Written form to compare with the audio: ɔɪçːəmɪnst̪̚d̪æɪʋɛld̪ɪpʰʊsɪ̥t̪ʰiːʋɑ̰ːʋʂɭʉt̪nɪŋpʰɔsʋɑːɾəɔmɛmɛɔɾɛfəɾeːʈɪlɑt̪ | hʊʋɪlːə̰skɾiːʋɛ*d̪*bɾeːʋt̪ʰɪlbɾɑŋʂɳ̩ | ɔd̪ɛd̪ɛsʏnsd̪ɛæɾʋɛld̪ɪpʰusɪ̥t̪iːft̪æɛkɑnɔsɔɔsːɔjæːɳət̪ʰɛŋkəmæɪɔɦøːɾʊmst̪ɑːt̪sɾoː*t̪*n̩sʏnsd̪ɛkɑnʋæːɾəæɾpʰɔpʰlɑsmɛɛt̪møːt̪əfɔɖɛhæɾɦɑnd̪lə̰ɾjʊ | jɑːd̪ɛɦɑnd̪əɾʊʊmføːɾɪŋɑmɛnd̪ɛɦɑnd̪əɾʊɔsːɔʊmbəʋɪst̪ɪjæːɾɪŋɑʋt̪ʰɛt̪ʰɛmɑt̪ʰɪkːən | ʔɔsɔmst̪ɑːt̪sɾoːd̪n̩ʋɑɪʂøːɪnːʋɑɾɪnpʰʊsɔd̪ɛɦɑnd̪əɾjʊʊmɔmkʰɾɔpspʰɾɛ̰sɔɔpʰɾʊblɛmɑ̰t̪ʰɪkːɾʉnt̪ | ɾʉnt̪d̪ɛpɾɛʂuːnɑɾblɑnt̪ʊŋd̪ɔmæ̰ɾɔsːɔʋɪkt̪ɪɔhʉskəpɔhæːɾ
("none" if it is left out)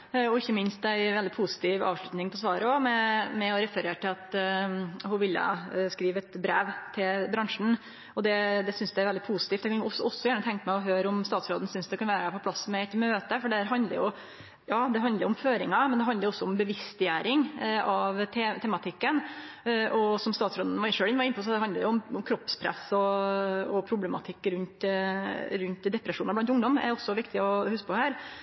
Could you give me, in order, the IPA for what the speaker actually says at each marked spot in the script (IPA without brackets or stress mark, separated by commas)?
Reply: t̪, d̪